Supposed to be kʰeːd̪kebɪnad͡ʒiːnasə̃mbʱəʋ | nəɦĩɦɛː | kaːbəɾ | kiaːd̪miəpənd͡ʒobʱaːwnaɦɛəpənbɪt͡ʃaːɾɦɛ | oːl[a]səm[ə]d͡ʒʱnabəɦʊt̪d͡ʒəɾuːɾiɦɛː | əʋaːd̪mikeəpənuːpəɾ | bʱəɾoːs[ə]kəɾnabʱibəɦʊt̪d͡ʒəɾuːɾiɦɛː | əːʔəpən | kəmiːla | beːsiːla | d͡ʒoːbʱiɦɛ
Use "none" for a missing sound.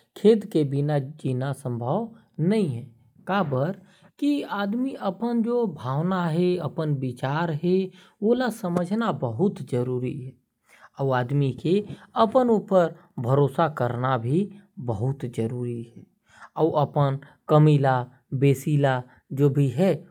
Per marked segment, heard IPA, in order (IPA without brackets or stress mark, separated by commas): a, ə, a